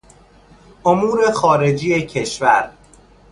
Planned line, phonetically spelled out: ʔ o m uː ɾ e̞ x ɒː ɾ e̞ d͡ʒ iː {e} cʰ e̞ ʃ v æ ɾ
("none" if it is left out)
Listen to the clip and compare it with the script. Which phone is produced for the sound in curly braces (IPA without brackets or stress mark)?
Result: e